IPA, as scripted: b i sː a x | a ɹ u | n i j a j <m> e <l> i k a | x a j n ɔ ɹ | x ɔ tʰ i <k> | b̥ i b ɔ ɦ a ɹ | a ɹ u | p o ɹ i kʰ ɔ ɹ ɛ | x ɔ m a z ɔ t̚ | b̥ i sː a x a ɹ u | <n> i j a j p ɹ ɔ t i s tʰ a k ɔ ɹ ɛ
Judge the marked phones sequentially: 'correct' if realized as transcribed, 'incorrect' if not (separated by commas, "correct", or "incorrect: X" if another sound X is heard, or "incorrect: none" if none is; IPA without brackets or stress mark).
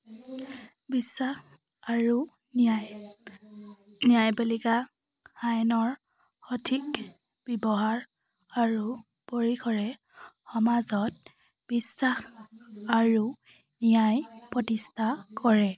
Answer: incorrect: b, correct, correct, correct